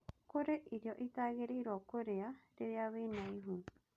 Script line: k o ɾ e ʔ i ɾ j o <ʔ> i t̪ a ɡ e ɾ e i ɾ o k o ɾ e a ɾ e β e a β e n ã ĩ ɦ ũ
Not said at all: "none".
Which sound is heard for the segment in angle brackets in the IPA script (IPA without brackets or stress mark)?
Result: ʔ